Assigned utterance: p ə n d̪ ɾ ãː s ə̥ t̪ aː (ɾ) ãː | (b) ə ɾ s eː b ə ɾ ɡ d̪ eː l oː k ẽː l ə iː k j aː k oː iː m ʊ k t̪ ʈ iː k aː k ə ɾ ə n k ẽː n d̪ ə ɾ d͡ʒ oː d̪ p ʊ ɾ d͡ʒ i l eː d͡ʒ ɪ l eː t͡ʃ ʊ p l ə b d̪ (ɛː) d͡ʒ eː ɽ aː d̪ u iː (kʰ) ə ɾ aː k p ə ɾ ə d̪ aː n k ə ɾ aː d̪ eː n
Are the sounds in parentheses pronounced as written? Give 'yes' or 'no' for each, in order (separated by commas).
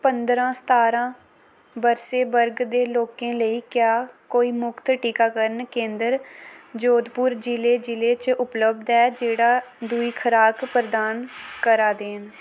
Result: yes, yes, yes, yes